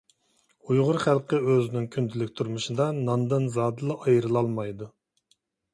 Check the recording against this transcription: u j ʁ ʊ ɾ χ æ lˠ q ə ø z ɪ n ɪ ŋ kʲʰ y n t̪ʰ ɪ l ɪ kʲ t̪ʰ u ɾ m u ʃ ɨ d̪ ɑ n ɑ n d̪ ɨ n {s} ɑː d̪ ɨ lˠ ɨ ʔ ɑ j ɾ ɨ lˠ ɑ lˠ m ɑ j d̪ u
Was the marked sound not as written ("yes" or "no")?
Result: yes